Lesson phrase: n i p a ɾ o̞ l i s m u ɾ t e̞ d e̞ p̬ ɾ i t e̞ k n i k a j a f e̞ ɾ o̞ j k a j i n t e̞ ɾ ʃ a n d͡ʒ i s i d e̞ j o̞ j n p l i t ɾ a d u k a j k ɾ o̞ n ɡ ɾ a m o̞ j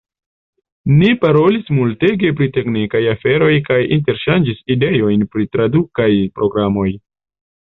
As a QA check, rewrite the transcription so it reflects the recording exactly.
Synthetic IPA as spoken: n i p a ɾ o̞ l i s m u l t e̞ ɡ e̞ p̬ ɾ i t e̞ k n i k a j a f e̞ ɾ o̞ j k a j i n t e̞ ɾ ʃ a n d͡ʒ i s i d e̞ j o̞ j n p ɾ i t ɾ a d u k a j p ɾ o̞ ɡ ɾ a m o̞ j